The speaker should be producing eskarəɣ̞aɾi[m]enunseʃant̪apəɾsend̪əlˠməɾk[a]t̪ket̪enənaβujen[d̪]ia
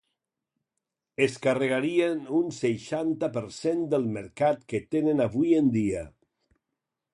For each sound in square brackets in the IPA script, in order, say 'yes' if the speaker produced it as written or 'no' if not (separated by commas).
no, yes, yes